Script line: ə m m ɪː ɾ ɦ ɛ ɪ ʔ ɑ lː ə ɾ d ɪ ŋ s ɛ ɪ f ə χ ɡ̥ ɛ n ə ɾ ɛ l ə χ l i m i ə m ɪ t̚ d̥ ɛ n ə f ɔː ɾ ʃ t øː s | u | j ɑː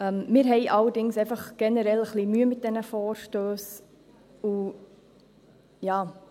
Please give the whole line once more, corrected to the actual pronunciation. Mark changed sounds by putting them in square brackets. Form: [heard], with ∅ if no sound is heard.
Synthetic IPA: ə m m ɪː ɾ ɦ ɛ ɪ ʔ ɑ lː ə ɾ d ɪ ŋ s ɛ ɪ f [ɑ] χ ɡ̥ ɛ n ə ɾ ɛ l ə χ l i m [y] ə m ɪ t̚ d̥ ɛ n ə f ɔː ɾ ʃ t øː s | u | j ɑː